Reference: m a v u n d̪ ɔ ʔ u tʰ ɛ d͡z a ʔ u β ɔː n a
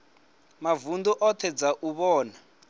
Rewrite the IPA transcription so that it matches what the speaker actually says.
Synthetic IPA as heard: m a v u n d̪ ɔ ʔ ɔ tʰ ɛ d͡z a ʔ u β ɔː n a